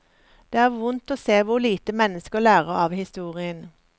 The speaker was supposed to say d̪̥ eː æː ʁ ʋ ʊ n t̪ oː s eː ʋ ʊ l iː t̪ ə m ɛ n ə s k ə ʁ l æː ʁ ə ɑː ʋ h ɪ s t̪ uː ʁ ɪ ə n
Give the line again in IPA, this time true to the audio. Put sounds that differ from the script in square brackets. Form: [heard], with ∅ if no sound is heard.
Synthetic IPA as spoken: d̪̥ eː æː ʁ ʋ ʊ n t̪ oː s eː ʋ ʊ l iː t̪ ə m ɛ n ə s k ə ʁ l æː ʁ ə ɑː ʋ h ɪ s t̪ uː ʁ ɪ ə n